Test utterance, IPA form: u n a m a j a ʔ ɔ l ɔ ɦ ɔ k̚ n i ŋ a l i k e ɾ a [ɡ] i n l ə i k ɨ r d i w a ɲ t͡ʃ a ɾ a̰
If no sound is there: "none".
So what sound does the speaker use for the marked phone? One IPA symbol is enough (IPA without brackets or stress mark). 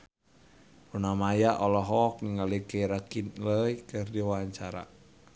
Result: k